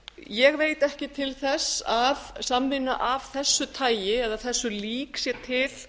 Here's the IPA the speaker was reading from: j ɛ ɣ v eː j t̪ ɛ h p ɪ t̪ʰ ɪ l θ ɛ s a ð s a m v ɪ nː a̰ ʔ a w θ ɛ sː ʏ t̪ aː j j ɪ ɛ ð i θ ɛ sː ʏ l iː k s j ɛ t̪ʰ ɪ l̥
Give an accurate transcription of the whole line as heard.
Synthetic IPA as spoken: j ɛ ɣ v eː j t̪ ɛ h c ɪ t̪ʰ ɪ l θ ɛ s a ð s a m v ɪ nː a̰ ʔ a v θ ɛ sː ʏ t̪ʰ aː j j ɪ ɛ ð a θ ɛ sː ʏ l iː k s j ɛ t̪ʰ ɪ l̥

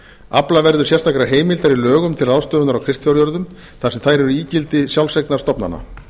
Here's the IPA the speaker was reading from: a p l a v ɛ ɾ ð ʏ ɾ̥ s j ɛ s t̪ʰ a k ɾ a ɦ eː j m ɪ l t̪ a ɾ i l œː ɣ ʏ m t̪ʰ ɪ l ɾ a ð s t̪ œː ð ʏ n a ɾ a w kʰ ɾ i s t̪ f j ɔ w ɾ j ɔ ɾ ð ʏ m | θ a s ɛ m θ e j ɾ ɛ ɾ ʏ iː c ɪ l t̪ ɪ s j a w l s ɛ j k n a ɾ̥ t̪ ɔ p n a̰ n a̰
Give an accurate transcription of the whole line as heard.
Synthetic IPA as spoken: a p l a v ɛ ɾ ð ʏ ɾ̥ s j ɛ s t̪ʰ a k ɾ a ɦ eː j m ɪ l t̪ a ɾ i l œː ɣ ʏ m t̪ʰ ɪ l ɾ a ð s t̪ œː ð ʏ n a ɾ a w kʰ ɾ ɪ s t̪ f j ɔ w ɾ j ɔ ɾ ð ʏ m | θ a s ɛ m θ a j ɾ ɛ ɾ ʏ iː c ɪ l t̪ ɪ s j a w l s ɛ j k n a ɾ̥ t̪ ɔ p n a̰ n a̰

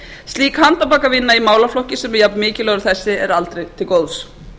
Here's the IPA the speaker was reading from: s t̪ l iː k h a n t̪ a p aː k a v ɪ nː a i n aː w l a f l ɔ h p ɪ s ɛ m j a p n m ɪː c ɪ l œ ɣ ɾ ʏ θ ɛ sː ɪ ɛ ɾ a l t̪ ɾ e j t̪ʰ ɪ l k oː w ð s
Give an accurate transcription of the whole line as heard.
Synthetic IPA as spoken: s t̪ l iː k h a n t̪ a p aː k a v ɪ nː a i m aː w l a f l ɔ h c ɪ s ɛ m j a p n m ɪː c ɪ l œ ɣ ɾ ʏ θ ɛ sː ɪ ɛ ɾ a l t̪ ɾ e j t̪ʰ ɪ l k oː w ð s

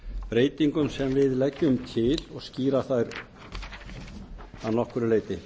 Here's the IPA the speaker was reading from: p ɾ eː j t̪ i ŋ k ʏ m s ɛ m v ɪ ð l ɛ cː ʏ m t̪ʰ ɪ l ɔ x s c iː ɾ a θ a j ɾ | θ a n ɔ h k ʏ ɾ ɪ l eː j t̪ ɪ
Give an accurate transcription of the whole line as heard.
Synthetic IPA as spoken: p ɾ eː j t̪ i ŋ k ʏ m s ɛ m v ɪ ð l ɛ cː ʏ m t̪ʰ ɪ l ɔ ɣ s c iː ɾ a θ a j ɾ | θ a n ɔ h k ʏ ɾ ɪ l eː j t̪ ɪ

